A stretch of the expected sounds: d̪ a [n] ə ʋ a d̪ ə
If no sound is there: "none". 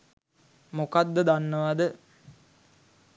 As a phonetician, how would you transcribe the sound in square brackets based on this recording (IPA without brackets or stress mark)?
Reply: nː